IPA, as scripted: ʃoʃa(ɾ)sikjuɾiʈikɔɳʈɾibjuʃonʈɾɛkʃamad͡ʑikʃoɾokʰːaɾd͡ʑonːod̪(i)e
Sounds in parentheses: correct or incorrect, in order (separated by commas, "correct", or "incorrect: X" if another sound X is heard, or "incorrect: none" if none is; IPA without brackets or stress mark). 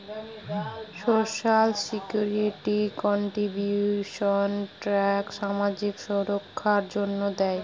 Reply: incorrect: l, incorrect: ɛ